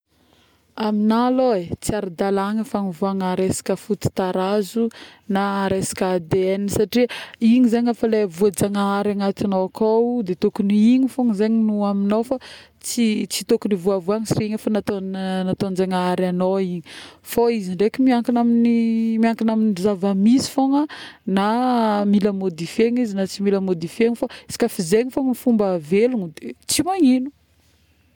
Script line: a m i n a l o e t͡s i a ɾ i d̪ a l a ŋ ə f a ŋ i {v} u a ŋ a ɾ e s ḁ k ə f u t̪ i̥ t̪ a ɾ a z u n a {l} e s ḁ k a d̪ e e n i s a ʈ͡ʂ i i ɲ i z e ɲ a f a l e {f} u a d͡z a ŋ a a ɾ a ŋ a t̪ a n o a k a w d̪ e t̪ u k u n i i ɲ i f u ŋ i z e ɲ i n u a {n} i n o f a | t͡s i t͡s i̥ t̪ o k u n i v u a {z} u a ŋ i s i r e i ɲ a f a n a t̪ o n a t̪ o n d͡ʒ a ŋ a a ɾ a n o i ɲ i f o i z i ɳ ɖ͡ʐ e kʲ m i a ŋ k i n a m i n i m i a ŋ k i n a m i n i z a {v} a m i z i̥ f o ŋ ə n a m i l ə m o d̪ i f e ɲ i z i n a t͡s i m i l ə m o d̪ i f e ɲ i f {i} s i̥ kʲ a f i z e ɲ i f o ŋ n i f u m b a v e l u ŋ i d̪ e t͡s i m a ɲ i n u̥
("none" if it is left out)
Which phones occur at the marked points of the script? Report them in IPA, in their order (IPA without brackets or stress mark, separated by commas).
v, ɾ, v, m, v, v, a